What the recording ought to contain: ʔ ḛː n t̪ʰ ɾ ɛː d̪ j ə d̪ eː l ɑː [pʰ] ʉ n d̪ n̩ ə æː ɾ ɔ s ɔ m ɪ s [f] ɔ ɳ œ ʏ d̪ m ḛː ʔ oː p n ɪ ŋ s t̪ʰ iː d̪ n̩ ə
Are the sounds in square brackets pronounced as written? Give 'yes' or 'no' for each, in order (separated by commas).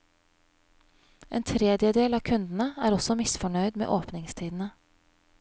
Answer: no, yes